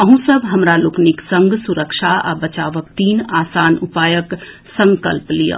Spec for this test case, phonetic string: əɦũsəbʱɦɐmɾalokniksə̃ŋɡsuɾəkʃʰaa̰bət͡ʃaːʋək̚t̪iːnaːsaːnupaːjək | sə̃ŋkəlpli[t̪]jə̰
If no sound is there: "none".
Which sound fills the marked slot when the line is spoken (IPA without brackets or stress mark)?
none